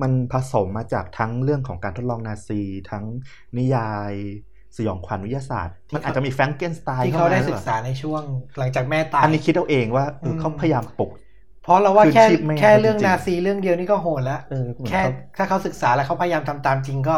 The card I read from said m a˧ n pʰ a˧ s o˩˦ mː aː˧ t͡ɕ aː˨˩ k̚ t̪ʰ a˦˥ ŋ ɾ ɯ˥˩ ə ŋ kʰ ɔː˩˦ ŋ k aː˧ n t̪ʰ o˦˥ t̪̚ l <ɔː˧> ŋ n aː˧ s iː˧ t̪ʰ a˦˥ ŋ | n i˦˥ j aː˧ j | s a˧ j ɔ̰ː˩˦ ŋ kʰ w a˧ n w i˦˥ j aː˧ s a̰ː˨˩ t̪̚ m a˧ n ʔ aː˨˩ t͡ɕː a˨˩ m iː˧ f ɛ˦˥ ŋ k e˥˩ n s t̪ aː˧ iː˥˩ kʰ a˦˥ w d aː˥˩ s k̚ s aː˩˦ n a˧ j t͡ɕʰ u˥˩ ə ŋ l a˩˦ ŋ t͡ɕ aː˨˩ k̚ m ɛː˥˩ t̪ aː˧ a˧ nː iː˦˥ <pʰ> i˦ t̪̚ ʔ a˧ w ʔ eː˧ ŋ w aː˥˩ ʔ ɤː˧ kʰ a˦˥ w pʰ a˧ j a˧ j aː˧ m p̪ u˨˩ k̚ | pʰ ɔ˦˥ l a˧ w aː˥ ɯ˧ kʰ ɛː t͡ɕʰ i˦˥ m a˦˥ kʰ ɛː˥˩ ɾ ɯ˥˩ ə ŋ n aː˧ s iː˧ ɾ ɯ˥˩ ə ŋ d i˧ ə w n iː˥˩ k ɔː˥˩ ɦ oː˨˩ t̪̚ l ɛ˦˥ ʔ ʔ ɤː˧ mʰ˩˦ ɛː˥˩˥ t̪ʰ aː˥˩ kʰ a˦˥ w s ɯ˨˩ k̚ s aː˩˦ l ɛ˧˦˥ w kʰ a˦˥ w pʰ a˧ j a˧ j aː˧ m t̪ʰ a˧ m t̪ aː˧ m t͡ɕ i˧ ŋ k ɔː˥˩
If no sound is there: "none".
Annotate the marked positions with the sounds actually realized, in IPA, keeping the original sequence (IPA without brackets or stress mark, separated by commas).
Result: ɔː˧, kʰ